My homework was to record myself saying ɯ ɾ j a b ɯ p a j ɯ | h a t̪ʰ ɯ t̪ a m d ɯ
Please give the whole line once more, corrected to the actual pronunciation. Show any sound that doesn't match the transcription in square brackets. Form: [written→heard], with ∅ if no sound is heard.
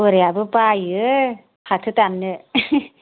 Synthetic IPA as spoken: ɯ ɾ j a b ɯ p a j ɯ | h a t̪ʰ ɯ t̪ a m [d→n] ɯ

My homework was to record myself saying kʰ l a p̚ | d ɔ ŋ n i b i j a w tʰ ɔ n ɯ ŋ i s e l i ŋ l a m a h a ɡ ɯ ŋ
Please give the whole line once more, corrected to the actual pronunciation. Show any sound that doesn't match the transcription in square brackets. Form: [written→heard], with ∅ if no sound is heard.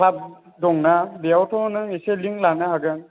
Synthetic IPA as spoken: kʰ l a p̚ | d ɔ ŋ n [i→a] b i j a w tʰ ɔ n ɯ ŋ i s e l i ŋ l a [m→n] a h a ɡ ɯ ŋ

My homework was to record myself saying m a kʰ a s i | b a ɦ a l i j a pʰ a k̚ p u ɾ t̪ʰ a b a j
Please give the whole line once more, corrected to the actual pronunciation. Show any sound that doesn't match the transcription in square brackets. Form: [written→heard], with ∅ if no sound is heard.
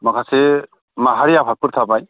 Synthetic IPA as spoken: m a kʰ a s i | [b→m] a ɦ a [l→ɾ] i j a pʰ a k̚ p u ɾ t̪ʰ a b a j

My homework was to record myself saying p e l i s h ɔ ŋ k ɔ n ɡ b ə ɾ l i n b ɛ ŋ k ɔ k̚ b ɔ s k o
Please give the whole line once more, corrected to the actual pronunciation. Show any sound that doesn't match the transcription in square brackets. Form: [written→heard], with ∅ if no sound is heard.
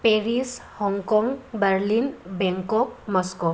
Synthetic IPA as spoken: p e [l→ɾ] i s h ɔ ŋ k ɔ [n→ŋ] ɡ b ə ɾ l i n b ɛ ŋ k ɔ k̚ [b→m] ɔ s k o

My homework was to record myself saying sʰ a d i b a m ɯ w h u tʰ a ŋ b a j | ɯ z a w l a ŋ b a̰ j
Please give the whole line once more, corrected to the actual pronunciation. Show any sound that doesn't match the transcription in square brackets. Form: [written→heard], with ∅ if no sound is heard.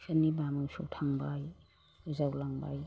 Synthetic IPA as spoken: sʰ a [d→n] i b a m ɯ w [h→s] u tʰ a ŋ b a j | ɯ z a w l a ŋ b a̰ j

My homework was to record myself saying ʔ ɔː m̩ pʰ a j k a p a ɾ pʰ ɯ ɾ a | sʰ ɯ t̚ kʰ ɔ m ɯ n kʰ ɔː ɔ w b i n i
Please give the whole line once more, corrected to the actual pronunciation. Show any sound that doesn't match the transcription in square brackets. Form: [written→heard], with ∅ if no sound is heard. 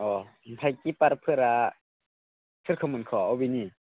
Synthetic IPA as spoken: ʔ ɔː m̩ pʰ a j k [a→i] p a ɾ pʰ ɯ ɾ a | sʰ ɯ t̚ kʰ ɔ m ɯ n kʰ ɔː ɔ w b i n i

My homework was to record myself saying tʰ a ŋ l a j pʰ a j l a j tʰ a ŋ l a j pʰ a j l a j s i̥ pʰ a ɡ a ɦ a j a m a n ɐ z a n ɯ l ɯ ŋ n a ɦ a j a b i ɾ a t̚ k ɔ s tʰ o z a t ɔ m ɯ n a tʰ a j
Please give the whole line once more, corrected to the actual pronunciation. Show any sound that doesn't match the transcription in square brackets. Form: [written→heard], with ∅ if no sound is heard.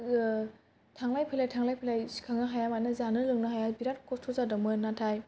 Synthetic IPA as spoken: tʰ a ŋ l a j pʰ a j l a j tʰ a ŋ l a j pʰ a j l a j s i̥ [pʰ→kʰ] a [ɡ→ŋ] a ɦ a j a m a n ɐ z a n ɯ l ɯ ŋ n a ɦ a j a b i ɾ a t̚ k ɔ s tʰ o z a [t→d] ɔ m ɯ n a tʰ a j

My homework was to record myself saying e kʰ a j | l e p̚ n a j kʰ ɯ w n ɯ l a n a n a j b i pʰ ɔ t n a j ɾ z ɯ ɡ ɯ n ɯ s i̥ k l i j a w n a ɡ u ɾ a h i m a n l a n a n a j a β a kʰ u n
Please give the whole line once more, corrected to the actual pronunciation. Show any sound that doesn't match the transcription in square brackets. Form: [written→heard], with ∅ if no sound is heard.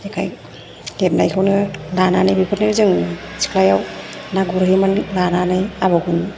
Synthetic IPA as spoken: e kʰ a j | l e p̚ n a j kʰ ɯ w n ɯ l a n a n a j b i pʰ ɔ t n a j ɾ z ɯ [ɡ→ŋ] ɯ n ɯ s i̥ k l [i→a] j a w n a ɡ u ɾ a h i m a n l a n a n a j a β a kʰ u n

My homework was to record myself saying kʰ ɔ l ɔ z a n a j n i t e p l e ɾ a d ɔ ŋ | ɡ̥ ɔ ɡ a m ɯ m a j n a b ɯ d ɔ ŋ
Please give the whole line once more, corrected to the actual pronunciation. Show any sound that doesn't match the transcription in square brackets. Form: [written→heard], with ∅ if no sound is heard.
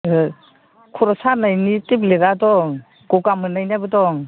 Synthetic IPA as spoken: kʰ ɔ [l→ɾ] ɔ [z→s] a n a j n i t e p l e ɾ a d ɔ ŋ | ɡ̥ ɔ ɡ a m ɯ [m→n] a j n a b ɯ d ɔ ŋ

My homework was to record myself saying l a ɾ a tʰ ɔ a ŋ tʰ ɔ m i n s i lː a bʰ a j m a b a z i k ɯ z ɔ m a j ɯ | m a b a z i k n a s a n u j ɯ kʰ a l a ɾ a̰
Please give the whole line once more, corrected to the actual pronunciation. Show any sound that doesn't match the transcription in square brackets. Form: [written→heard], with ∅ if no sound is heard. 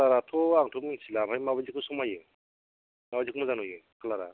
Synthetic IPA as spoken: l a ɾ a tʰ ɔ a ŋ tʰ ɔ m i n s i [lː→l] a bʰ a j m a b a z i k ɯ [z→s] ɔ m a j ɯ | m a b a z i k [n→m] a [s→z] a n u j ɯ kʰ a l a ɾ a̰

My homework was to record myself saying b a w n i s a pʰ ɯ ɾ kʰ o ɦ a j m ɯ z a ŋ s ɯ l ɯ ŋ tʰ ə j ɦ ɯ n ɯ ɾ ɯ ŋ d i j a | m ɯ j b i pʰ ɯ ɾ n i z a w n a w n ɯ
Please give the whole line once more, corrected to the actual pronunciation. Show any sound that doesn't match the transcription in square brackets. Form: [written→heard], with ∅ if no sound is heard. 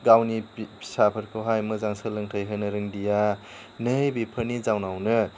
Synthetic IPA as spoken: [b→ɡ] a w n i s a pʰ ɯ ɾ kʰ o ɦ a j m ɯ z a ŋ s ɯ l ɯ ŋ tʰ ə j ɦ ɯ n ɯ ɾ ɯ ŋ d i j a | [m→n] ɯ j b i pʰ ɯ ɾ n i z a w n a w n ɯ

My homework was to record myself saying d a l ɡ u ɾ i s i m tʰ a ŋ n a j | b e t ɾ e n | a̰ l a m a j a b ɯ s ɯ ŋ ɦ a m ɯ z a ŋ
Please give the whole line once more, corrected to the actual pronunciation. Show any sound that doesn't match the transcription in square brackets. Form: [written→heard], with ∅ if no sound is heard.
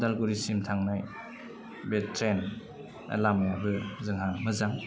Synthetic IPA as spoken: d a l ɡ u ɾ i s i m tʰ a ŋ n a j | b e t ɾ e n | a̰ l a m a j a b ɯ [s→z] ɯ ŋ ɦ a m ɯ z a ŋ

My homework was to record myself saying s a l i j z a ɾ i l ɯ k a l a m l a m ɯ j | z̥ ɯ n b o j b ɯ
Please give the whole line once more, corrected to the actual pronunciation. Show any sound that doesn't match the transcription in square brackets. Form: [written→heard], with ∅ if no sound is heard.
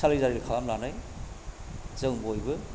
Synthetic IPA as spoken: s a l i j z a ɾ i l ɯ [k→kʰ] a l a m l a [m→n] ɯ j | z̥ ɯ [n→ŋ] b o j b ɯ

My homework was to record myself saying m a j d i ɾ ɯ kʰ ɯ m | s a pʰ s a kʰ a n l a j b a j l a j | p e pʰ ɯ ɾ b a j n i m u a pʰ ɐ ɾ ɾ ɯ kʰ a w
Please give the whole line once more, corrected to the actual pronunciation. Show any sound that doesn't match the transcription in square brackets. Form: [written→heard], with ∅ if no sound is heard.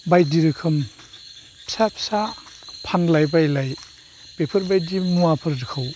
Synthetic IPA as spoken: [m→b] a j d i ɾ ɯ kʰ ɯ m | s a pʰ s a [kʰ→pʰ] a n l a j b a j l a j | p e pʰ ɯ ɾ b a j [n→d] i m u a pʰ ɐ ɾ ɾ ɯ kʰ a w

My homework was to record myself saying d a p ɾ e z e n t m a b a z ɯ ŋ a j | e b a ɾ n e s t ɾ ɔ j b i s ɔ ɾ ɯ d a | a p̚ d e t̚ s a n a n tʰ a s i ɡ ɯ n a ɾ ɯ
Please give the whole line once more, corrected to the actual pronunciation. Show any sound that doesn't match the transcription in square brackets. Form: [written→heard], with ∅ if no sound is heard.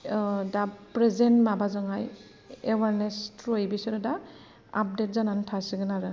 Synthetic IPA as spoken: d a p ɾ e z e n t m a b a z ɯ ŋ a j | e [b→w] a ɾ n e s t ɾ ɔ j b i s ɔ ɾ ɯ d a | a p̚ d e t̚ [s→z] a n a n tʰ a s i ɡ ɯ n a ɾ ɯ

